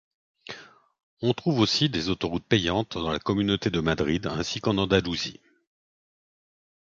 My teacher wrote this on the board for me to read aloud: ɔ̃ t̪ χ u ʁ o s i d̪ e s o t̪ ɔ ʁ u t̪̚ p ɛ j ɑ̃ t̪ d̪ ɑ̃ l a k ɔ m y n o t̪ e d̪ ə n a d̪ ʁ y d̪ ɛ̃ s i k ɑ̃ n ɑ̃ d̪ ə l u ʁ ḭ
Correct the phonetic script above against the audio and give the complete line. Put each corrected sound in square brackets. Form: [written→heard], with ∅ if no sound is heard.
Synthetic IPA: ɔ̃ t̪ χ u [ʁ→v] o s i d̪ e [s→z] o t̪ ɔ ʁ u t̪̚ p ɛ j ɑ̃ t̪ d̪ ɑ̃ l a k ɔ m y n o t̪ e d̪ ə [n→m] a d̪ ʁ [y→i] d̪ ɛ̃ s i k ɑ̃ n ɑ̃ d̪ [ə→a] l u [ʁ→z] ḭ